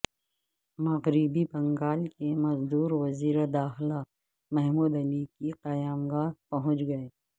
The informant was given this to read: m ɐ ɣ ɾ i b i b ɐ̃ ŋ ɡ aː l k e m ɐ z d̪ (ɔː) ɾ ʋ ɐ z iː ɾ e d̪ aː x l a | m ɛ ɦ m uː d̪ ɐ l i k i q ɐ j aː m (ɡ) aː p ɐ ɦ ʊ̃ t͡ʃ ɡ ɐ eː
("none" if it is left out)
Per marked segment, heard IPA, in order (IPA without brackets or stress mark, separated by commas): uː, ɡ